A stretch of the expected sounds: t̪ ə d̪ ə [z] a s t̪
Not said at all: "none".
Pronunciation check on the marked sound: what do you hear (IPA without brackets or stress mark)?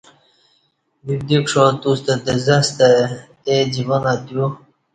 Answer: z